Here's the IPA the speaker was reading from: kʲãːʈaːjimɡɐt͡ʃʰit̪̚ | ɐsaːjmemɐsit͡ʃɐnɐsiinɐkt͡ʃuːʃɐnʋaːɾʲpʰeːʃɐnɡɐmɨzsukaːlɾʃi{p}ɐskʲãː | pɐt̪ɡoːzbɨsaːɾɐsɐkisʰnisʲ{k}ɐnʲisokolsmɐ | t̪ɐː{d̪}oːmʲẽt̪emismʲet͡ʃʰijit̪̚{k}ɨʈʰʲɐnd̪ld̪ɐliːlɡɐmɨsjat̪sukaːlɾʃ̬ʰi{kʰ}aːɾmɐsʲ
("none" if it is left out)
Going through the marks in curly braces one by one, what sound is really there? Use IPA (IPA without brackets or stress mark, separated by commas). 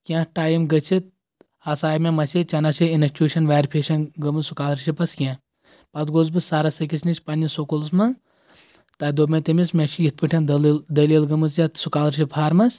p, p, d̪, p, pʰ